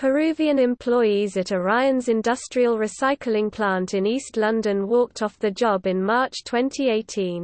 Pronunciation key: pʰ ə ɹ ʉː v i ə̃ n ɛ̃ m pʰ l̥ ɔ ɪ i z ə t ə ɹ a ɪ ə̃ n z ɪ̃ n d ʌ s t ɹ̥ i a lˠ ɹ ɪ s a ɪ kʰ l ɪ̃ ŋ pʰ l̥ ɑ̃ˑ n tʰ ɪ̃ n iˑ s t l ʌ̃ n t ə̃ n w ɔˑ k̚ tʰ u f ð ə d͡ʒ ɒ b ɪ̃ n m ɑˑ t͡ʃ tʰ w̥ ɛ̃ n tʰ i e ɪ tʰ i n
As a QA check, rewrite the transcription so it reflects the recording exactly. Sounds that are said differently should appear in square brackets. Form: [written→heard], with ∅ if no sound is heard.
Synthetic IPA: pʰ ə ɹ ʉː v i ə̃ n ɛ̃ m pʰ l̥ ɔ ɪ i z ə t ə ɹ a ɪ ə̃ n z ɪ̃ n d ʌ s t ɹ̥ i [a→ə] lˠ ɹ ɪ s a ɪ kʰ l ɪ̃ ŋ pʰ l̥ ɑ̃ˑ n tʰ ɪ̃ n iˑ s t l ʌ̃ n [t→d] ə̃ n w ɔˑ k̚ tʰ [u→ɒ] f ð ə d͡ʒ ɒ b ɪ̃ n m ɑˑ t͡ʃ tʰ w̥ ɛ̃ n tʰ i e ɪ tʰ [i→ĩ] n